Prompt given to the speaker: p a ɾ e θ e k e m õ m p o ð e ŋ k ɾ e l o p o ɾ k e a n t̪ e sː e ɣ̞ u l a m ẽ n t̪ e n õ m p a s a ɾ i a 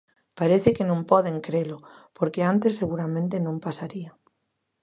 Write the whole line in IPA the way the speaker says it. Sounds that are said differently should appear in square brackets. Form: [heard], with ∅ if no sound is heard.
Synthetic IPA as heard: p a ɾ e θ e k e [n] õ m p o ð e ŋ k ɾ e l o p o ɾ k e a n t̪ e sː e ɣ̞ u [ɾ] a m ẽ n t̪ e n õ m p a s a ɾ i a

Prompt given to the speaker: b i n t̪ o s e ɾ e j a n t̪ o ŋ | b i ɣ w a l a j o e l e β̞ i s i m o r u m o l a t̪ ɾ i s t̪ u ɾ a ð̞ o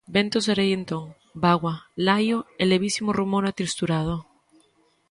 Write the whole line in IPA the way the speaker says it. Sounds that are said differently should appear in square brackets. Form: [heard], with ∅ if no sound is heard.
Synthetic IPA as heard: b [e] n t̪ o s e ɾ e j [e] n t̪ o ŋ | b [a] ɣ w a l a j o e l e β̞ i s i m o r u m o [ɾ] a t̪ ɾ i s t̪ u ɾ a ð̞ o

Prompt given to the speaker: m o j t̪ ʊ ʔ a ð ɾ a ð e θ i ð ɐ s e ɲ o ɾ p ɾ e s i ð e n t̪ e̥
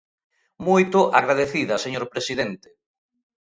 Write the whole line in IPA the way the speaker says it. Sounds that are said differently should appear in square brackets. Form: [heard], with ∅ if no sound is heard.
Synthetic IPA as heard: m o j t̪ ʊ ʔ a [ɣ] ɾ a ð e θ i ð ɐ s e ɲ o ɾ p ɾ e s i ð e n t̪ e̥

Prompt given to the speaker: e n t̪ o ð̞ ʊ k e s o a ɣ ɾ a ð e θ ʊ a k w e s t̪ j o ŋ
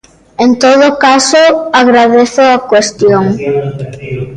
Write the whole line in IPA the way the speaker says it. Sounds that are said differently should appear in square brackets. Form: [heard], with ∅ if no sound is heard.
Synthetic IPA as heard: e n t̪ o ð̞ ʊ k [a] s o a ɣ ɾ a ð e θ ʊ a k w e s t̪ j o ŋ

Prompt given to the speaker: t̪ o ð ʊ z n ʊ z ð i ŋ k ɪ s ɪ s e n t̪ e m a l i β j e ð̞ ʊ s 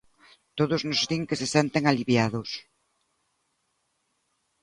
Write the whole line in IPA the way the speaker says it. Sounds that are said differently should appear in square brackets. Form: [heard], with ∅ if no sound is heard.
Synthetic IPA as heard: t̪ o ð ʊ z n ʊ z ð i ŋ k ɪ s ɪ s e n t̪ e [ŋ] a l i β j [a] ð̞ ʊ s

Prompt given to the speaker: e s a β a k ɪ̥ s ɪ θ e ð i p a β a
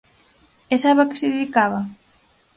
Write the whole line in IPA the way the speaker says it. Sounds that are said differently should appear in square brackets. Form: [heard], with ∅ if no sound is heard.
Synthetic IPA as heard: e s a β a k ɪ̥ s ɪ [ð] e ð i [k] a β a

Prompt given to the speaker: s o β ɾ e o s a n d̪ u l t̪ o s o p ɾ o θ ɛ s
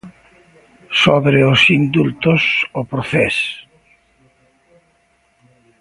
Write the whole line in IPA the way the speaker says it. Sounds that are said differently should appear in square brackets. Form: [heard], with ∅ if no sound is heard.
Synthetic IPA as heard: s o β ɾ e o s [i] n d̪ u l t̪ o s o p ɾ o θ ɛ s

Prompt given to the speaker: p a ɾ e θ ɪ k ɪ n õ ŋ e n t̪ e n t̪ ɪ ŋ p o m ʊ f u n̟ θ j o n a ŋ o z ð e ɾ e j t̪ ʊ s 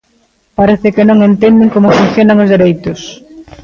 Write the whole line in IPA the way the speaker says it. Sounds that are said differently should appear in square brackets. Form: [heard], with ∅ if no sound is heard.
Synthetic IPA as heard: p a ɾ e θ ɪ k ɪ n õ ŋ e n t̪ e n [d̪] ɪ ŋ [k] o m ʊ f u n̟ θ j o n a ŋ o z ð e ɾ e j t̪ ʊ s

